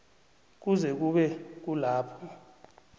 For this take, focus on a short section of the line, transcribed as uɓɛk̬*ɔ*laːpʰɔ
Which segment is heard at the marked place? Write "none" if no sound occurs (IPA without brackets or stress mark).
u